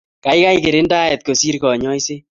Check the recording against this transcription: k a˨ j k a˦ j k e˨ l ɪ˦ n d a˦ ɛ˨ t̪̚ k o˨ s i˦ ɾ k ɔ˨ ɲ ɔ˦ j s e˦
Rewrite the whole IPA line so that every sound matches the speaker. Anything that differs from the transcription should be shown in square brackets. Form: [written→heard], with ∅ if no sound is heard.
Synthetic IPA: k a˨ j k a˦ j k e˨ [l→ɾ] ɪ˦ n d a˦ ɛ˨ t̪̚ k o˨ s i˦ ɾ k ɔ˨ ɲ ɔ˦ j s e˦